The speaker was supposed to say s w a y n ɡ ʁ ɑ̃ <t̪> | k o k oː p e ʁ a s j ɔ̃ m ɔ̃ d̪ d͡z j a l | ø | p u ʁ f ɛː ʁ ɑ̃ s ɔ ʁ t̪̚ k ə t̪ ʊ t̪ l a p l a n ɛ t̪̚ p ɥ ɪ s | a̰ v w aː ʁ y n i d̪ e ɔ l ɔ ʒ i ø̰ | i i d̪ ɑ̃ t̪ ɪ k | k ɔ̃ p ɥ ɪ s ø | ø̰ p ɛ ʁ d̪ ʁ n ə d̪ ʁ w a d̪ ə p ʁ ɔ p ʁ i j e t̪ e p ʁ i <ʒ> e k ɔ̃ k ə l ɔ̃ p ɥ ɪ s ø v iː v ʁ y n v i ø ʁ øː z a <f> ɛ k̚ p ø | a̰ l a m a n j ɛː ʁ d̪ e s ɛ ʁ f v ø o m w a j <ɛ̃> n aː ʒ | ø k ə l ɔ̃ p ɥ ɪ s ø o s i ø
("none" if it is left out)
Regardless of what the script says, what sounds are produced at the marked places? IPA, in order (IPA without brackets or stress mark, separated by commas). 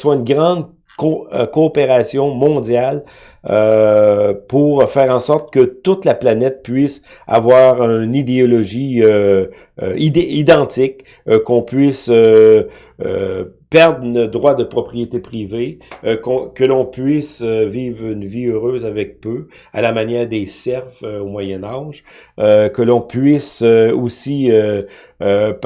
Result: d̪, v, v, ɛ